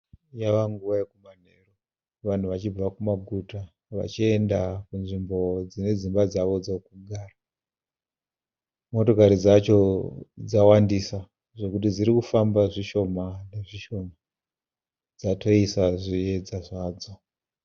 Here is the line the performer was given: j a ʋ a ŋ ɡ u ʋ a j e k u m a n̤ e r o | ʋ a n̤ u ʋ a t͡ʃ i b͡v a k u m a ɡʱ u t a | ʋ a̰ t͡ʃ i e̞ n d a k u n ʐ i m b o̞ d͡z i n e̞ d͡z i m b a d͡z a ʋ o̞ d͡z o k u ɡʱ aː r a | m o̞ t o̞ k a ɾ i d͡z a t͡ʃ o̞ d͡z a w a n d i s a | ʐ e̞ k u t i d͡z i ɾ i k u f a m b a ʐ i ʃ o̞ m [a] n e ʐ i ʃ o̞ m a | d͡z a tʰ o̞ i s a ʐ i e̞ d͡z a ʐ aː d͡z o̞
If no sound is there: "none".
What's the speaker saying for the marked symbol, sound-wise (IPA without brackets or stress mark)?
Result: a